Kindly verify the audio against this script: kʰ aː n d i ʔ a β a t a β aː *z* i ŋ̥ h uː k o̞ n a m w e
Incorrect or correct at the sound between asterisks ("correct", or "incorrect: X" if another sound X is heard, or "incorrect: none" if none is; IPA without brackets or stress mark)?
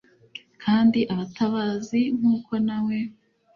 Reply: correct